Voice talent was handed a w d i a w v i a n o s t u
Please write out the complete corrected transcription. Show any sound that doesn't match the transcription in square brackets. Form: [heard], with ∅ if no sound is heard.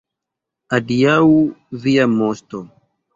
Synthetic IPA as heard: a [∅] d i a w v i a [m] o s t [o]